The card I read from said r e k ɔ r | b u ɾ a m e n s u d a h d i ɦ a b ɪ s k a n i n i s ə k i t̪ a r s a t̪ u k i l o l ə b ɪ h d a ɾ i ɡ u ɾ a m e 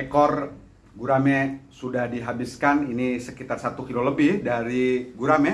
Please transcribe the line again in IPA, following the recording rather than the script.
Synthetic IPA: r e k ɔ r | ɡ u ɾ a m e s u d a h d i ɦ a b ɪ s k a n i n i s ə k i t̪ a r s a t̪ u k i l o l ə b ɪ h d a ɾ i ɡ u ɾ a m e